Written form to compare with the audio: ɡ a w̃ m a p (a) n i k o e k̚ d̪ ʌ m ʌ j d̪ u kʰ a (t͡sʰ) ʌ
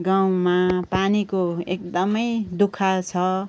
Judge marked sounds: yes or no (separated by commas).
yes, yes